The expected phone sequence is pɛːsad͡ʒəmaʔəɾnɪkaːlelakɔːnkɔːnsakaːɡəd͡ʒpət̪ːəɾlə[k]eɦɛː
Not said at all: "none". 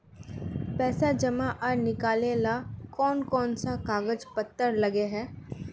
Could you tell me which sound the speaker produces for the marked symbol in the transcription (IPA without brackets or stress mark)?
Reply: ɡ